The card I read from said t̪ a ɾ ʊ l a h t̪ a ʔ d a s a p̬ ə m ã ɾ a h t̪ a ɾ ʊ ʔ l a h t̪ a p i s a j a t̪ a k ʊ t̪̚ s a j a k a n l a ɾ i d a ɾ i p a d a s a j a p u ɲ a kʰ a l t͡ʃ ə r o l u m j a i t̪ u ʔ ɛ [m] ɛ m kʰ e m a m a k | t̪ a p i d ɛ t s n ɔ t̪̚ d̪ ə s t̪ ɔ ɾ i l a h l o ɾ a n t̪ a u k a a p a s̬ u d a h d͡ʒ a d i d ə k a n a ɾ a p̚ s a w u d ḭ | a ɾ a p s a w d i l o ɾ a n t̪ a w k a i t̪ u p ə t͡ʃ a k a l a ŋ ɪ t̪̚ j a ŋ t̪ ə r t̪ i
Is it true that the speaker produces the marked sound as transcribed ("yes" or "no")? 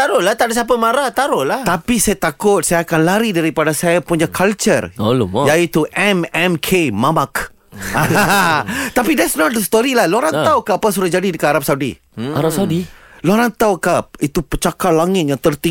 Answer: yes